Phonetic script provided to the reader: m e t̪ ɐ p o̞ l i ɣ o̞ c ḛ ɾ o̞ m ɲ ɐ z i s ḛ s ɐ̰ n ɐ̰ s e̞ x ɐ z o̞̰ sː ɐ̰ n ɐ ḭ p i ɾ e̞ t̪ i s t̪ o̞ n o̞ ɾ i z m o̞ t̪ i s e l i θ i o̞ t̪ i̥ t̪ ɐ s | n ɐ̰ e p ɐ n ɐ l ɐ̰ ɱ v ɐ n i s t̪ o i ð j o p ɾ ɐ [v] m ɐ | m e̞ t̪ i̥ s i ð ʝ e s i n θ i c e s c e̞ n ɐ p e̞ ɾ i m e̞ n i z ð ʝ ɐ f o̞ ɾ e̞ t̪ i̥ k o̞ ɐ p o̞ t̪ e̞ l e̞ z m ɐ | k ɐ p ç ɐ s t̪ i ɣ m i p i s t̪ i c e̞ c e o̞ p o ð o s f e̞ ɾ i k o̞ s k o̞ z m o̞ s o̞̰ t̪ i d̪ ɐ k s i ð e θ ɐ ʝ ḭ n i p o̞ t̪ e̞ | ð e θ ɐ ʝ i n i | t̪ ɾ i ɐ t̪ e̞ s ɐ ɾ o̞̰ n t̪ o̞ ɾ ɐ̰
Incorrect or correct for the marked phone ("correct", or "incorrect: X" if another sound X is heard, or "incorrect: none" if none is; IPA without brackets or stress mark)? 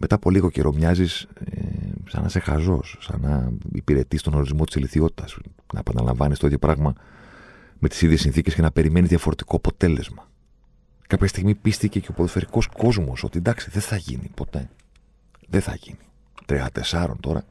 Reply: incorrect: ɣ